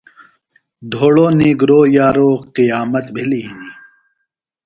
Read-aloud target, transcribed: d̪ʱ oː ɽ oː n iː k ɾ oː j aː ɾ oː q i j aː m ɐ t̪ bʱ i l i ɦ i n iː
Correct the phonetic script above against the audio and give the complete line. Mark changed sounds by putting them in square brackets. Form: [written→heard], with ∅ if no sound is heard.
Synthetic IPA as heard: d̪ʱ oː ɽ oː n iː [k→ɡ] ɾ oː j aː ɾ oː q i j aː m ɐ t̪ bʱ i l i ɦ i n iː